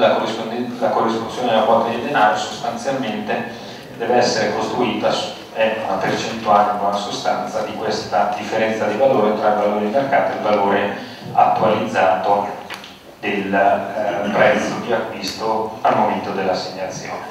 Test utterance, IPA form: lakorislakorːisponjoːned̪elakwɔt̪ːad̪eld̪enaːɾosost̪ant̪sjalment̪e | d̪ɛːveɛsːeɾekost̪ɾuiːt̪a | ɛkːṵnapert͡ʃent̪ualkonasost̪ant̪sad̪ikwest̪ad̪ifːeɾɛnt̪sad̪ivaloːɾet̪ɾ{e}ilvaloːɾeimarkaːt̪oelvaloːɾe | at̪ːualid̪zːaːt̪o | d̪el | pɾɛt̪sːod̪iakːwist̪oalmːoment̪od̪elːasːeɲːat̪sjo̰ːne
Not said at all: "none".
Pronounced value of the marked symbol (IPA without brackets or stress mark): a